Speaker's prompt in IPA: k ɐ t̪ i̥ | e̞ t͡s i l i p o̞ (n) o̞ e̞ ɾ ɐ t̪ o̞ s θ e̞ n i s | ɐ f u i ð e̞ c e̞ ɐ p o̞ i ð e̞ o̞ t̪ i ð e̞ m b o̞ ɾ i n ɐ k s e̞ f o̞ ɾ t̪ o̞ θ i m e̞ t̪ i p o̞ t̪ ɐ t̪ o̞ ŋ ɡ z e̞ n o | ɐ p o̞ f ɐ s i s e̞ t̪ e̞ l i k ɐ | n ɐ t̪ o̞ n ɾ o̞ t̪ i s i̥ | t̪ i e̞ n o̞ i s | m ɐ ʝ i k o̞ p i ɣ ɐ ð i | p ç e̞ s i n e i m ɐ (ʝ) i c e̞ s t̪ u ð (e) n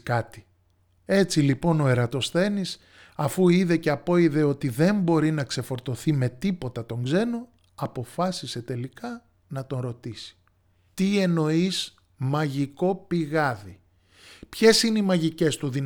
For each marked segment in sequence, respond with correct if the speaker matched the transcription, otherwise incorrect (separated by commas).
correct, correct, incorrect